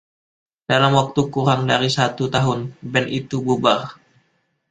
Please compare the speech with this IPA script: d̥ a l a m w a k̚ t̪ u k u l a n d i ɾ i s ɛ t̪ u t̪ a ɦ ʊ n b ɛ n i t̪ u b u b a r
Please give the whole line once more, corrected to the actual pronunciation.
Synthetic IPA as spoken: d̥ a l a m w a k̚ t̪ u k u ɾ a ŋ d a ɾ i s a t̪ u t̪ a ɦ ʊ n b ɛ n i t̪ u b u b a r